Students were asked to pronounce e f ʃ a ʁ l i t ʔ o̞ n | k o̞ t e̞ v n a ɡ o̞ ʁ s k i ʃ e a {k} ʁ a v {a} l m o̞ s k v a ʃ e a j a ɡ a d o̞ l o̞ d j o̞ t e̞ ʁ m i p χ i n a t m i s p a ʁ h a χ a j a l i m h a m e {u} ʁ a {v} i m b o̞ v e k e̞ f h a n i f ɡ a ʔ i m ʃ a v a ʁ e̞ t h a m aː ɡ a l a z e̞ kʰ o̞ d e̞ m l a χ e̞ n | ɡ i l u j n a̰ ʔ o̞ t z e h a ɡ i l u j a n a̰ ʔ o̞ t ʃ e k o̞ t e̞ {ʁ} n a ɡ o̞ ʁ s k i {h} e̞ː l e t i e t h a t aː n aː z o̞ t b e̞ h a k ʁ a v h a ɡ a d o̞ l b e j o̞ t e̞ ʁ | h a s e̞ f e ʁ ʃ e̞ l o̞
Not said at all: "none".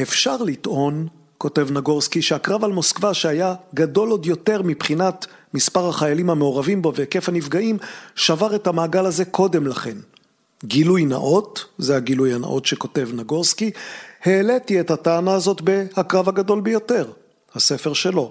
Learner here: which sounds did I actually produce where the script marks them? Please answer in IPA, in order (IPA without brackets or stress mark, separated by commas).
k, a, o, v, v, h